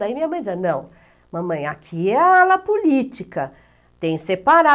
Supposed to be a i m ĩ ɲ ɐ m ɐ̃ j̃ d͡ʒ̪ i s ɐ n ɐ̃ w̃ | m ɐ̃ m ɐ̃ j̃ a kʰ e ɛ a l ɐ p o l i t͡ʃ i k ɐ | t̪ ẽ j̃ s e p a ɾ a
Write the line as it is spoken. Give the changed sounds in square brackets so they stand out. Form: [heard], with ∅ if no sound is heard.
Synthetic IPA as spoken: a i m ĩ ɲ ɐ m ɐ̃ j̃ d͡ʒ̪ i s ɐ n ɐ̃ w̃ | m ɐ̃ m ɐ̃ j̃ a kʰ [i] ɛ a l ɐ p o l i t͡ʃ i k ɐ | t̪ ẽ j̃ s e p a ɾ a